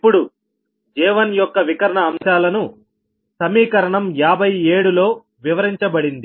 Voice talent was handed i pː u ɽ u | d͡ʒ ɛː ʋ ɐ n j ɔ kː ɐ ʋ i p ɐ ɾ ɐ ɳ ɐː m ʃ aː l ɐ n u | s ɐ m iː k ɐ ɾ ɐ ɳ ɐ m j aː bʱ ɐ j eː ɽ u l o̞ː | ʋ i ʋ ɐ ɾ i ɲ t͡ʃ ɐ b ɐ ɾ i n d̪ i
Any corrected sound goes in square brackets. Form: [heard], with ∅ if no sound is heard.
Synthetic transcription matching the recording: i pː u ɽ u | d͡ʒ ɛː ʋ ɐ n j ɔ kː ɐ ʋ i [k] ɐ ɾ ɐ ɳ ɐː m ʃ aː l ɐ n u | s ɐ m iː k ɐ ɾ ɐ ɳ ɐ m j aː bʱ ɐ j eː ɽ u l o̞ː | ʋ i ʋ ɐ ɾ i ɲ t͡ʃ ɐ b ɐ [ɽ] i n d̪ i

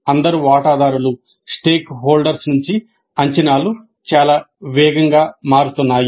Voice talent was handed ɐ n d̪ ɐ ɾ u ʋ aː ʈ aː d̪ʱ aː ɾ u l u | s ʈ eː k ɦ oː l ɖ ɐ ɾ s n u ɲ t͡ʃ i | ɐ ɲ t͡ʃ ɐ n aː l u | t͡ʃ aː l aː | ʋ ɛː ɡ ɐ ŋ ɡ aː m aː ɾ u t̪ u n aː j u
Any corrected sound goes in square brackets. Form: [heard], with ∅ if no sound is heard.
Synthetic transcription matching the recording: ɐ n d̪ ɐ ɾ u ʋ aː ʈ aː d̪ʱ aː ɾ u l u | s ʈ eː k ɦ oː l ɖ ɐ ɾ s n u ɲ t͡ʃ i | ɐ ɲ t͡ʃ ɐ n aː l u | t͡ʃ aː l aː | ʋ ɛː ɡ ɐ ŋ ɡ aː m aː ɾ u t̪ u [nː] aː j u

